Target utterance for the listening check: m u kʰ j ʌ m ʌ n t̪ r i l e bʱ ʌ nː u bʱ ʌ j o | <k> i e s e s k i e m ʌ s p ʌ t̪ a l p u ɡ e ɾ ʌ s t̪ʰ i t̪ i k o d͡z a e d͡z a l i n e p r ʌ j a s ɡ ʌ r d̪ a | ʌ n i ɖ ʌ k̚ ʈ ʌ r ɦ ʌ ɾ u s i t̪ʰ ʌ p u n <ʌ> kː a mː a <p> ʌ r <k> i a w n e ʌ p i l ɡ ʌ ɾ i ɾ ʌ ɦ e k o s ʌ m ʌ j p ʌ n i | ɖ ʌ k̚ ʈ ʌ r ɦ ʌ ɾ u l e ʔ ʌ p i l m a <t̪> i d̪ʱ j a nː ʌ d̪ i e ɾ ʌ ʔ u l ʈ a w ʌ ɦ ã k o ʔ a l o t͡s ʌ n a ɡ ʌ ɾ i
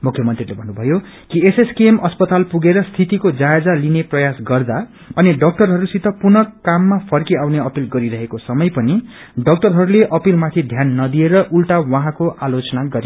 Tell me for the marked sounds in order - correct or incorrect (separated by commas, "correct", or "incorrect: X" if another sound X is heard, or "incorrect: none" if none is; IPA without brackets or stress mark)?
correct, correct, incorrect: pʰ, correct, incorrect: t̪ʰ